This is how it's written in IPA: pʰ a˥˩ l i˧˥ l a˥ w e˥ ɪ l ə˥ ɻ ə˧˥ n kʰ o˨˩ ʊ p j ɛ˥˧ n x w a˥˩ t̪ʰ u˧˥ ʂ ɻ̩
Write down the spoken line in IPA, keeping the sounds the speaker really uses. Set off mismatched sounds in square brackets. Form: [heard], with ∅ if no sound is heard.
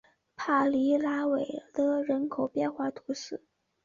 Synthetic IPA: pʰ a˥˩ l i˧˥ l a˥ w [e˨˩] ɪ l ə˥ ɻ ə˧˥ n kʰ o˨˩ ʊ p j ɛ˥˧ n x w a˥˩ t̪ʰ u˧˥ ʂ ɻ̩